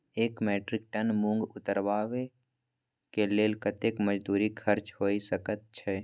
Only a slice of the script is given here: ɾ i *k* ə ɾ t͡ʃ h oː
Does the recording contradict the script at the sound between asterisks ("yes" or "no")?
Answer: yes